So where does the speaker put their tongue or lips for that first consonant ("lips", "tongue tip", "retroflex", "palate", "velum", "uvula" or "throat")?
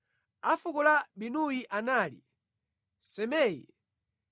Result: lips